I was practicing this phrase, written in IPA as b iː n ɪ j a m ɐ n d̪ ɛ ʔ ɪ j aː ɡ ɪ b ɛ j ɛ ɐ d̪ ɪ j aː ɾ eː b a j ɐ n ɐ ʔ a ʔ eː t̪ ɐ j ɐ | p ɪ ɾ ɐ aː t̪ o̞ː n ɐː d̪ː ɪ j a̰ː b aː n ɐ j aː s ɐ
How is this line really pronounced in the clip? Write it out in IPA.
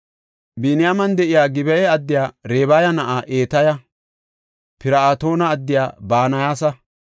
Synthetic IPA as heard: b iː n ɪ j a m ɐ n d̪ ɛ ʔ ɪ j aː ɡ ɪ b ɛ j ɛ ɐ d̪ː ɪ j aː ɾ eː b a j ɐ n ɐ ʔ a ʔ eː t̪ ɐ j ɐ | p ɪ ɾ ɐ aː t̪ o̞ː n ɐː d̪ː ɪ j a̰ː b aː n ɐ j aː s ɐ

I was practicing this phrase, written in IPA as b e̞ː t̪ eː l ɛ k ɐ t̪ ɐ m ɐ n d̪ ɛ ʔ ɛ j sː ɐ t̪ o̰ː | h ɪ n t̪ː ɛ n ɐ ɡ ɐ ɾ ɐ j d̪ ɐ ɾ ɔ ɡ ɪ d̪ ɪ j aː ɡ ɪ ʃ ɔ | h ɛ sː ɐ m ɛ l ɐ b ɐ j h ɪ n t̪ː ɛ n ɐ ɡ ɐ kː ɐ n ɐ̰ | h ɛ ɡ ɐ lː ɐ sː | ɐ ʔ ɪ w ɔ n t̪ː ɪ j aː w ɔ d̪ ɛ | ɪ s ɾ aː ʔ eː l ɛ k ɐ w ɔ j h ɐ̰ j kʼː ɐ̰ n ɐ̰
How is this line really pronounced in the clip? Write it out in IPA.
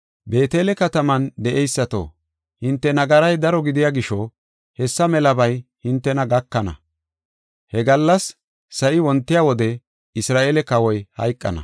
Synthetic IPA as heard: b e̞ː t̪ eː l ɛ k ɐ t̪ ɐ m ɐ n d̪ ɛ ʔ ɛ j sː ɐ t̪ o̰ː | h ɪ n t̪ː ɛ n ɐ ɡ ɐ ɾ ɐ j d̪ ɐ ɾ ɔ ɡ ɪ d̪ ɪ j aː ɡ ɪ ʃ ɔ | h ɛ sː ɐ m ɛ l ɐ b ɐ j h ɪ n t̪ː ɛ n ɐ ɡ ɐ kː ɐ n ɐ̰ | h ɛ ɡ ɐ lː ɐ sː | ɐ ʔ ɪ w ɔ n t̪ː ɪ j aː w ɔ d̪ ɛ | ɪ s ɾ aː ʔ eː l ɛ k ɐ w ɔ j h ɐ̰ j kʼː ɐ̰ n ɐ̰

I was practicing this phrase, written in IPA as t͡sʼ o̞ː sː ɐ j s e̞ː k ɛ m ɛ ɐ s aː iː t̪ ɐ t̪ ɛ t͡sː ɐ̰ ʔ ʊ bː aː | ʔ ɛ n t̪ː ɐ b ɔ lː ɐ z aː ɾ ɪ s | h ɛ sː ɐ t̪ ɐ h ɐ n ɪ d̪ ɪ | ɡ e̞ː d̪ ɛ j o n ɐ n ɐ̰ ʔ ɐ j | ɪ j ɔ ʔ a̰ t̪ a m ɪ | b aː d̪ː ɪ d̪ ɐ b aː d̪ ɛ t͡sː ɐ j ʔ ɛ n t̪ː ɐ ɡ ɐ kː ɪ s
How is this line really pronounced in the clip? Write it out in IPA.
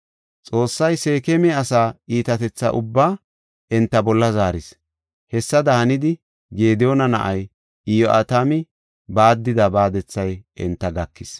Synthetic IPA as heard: t͡sʼ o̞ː sː ɐ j s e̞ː k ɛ m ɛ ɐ s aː iː t̪ ɐ t̪ ɛ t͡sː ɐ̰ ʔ ʊ bː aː | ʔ ɛ n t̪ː ɐ b ɔ lː ɐ z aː ɾ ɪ s | h ɛ sː ɐ d̪ ɐ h ɐ n ɪ d̪ ɪ | ɡ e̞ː d̪ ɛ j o n ɐ n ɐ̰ ʔ ɐ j | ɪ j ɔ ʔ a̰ t̪ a m ɪ | b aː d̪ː ɪ d̪ ɐ b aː d̪ ɛ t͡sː ɐ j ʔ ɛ n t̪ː ɐ ɡ ɐ kː ɪ s

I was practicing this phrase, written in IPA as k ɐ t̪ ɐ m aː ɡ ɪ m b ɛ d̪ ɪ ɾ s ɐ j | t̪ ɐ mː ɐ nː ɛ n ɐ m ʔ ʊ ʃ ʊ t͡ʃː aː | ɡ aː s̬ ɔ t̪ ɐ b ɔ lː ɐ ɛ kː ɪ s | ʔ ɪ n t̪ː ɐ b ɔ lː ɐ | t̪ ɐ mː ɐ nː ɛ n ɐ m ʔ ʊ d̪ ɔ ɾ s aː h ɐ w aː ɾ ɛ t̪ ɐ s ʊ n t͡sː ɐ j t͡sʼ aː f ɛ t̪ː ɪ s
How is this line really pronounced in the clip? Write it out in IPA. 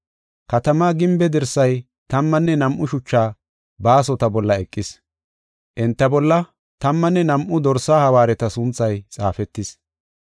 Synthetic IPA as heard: k ɐ t̪ ɐ m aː ɡ ɪ m b ɛ d̪ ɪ ɾ s ɐ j | t̪ ɐ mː ɐ nː ɛ n ɐ m ʔ ʊ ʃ ʊ t͡ʃː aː | b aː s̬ ɔ t̪ ɐ b ɔ lː ɐ ɛ kʼː ɪ s | ʔ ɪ n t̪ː ɐ b ɔ lː ɐ | t̪ ɐ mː ɐ nː ɛ n ɐ m ʔ ʊ d̪ ɔ ɾ s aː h ɐ w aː ɾ ɛ t̪ ɐ s ʊ n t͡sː ɐ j t͡sʼ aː f ɛ t̪ː ɪ s

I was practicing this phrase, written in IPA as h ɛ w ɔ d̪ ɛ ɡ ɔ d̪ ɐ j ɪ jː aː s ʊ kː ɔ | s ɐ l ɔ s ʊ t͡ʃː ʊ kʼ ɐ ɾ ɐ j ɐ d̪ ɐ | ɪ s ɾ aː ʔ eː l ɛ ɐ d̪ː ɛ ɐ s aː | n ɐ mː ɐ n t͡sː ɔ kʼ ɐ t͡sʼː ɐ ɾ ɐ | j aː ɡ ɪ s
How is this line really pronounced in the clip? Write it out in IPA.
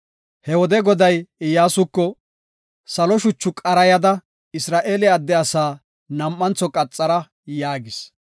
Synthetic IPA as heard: h ɛ w ɔ d̪ ɛ ɡ ɔ d̪ ɐ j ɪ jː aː s ʊ kː ɔ | s ɐ l ɔ ʃ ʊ t͡ʃː ʊ kʼ ɐ ɾ ɐ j ɐ d̪ ɐ | ɪ s ɾ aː ʔ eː l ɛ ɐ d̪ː ɛ ɐ s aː | n ɐ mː ɐ n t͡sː ɔ kʼ ɐ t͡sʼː ɐ ɾ ɐ | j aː ɡ ɪ s

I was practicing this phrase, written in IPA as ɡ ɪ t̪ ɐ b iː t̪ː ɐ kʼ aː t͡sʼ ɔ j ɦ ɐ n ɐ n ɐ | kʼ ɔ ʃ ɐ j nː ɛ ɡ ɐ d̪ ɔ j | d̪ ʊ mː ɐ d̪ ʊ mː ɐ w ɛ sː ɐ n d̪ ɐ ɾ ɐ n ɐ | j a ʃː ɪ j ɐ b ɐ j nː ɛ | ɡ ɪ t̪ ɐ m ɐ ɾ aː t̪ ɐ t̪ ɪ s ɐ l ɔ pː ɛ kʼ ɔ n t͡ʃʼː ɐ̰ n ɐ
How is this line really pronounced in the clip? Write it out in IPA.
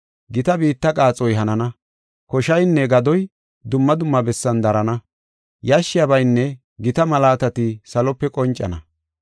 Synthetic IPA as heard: ɡ ɪ t̪ ɐ b iː t̪ː ɐ kʼ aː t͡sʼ ɔ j ɦ ɐ n ɐ n ɐ | k ɔ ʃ ɐ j nː ɛ ɡ ɐ d̪ ɔ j | d̪ ʊ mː ɐ d̪ ʊ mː ɐ b ɛ sː ɐ n d̪ ɐ ɾ ɐ n ɐ | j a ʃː ɪ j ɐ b ɐ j nː ɛ | ɡ ɪ t̪ ɐ m ɐ l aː t̪ ɐ t̪ ɪ s ɐ l ɔ pː ɛ kʼ ɔ n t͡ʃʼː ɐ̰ n ɐ

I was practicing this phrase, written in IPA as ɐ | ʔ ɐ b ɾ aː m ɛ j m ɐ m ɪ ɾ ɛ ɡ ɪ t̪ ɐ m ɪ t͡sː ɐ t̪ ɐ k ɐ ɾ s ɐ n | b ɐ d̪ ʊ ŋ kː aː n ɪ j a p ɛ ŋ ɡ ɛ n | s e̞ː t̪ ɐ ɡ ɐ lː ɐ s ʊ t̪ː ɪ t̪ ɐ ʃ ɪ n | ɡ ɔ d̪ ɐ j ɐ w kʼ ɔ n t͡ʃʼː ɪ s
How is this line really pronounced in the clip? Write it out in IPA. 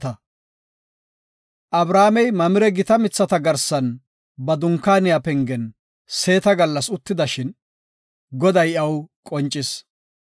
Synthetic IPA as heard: ɐ | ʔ ɐ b ɾ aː m ɛ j m ɐ m ɪ ɾ ɛ ɡ ɪ t̪ ɐ m ɪ t͡sː ɐ t̪ ɐ ɡ ɐ ɾ s ɐ n | b ɐ d̪ ʊ ŋ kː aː n ɪ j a p ɛ ŋ ɡ ɛ n | s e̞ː t̪ ɐ ɡ ɐ lː ɐ s ʊ t̪ː ɪ d̪ ɐ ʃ ɪ n | ɡ ɔ d̪ ɐ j ɐ w kʼ ɔ n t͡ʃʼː ɪ s

